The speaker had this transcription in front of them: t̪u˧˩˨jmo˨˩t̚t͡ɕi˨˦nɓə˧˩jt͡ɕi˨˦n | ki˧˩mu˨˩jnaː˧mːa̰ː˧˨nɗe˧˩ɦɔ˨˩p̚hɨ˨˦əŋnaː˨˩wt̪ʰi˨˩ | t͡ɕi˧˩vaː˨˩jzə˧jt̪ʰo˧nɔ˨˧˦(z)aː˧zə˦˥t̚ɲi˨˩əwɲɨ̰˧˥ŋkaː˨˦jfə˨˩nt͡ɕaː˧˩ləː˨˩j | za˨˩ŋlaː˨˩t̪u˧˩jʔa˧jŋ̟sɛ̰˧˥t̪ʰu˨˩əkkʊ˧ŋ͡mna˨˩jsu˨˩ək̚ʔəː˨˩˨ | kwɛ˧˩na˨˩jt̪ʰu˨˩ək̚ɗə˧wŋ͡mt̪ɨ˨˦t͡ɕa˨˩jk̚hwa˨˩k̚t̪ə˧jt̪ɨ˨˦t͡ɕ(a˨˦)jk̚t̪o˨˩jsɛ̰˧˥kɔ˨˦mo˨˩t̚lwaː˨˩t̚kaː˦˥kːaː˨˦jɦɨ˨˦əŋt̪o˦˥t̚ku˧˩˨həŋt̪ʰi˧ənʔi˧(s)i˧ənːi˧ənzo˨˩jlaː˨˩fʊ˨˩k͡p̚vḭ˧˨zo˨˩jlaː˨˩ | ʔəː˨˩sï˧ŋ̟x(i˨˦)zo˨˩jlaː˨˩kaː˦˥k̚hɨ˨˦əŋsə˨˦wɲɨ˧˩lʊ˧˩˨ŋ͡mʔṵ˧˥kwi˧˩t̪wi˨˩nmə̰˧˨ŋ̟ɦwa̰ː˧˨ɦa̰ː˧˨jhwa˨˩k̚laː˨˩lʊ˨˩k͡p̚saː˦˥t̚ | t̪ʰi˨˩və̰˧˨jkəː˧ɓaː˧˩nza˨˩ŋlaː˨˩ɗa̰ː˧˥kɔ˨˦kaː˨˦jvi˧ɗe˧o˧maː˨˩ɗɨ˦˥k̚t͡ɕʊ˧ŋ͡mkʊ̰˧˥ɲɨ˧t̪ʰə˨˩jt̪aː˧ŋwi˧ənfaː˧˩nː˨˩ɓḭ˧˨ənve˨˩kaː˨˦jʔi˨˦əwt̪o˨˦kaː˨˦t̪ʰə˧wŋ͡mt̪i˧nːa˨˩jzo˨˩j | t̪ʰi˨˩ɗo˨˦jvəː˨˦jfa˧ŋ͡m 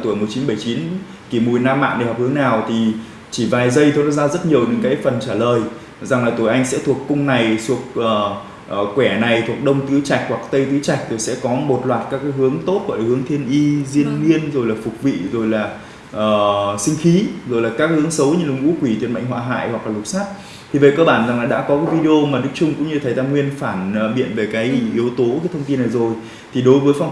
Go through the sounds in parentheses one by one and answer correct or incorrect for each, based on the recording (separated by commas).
correct, incorrect, incorrect, correct